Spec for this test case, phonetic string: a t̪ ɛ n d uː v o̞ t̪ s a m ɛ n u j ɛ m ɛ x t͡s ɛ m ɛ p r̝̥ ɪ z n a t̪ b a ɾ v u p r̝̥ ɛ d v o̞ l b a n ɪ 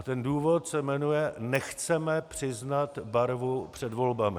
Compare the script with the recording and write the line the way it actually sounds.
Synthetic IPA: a t̪ ɛ n d uː v o̞ t̪ s ɛ m ɛ n u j ɛ n ɛ x t͡s ɛ m ɛ p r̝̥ ɪ z n a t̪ b a ɾ v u p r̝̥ ɛ d v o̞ l b a m ɪ